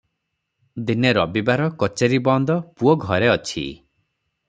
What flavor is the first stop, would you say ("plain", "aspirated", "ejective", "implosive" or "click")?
plain